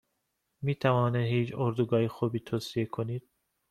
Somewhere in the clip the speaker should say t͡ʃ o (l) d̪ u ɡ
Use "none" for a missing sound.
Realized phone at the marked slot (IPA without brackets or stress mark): ɾ